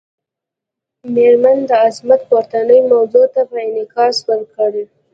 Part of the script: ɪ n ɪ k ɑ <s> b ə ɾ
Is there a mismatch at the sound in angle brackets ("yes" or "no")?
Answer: no